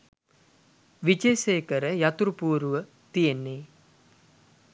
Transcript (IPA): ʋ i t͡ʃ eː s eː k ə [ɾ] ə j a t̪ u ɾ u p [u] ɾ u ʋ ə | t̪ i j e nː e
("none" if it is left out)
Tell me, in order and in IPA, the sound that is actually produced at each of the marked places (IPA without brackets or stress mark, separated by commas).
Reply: ɾ, uː